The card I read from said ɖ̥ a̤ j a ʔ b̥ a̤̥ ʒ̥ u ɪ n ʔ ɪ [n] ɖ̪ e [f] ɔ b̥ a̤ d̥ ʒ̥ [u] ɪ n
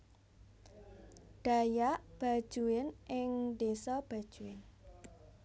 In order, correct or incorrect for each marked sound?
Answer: incorrect: ŋ, incorrect: s, correct

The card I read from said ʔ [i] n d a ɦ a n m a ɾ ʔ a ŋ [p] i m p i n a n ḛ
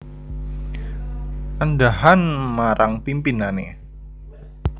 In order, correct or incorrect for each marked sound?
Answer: incorrect: a, correct

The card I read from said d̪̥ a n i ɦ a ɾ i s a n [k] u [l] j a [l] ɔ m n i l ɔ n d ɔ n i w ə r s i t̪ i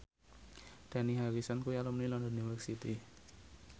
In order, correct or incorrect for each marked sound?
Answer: correct, incorrect: none, correct

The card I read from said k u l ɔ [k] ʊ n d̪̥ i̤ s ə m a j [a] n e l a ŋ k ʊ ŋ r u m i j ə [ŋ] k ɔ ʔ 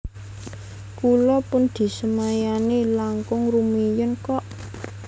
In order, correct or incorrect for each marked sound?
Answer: incorrect: p, correct, incorrect: n

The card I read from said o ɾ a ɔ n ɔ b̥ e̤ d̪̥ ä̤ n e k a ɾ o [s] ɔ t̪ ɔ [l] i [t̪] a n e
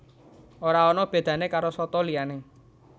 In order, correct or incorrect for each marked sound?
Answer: correct, correct, incorrect: none

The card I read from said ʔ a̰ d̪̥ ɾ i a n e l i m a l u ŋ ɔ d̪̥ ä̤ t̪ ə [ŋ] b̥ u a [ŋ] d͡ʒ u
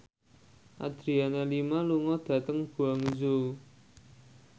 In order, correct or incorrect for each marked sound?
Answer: correct, correct

